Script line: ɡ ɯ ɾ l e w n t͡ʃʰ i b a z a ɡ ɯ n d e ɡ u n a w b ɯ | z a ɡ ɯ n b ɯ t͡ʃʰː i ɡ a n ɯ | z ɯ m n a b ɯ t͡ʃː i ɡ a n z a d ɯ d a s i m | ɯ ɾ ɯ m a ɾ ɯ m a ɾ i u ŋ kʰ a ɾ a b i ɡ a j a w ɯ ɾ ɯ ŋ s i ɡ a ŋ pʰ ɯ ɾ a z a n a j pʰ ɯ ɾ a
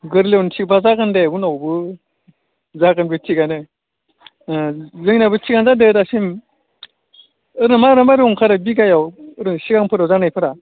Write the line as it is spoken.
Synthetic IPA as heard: ɡ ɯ ɾ l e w n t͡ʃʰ i b a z a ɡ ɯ n d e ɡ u n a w b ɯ | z a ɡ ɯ n b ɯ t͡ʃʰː i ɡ a n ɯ | z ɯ ŋ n a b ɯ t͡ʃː i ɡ a n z a d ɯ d a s i m | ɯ ɾ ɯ m a ɾ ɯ m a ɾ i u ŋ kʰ a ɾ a b i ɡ a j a w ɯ ɾ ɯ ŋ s i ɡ a ŋ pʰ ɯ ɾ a z a n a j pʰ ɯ ɾ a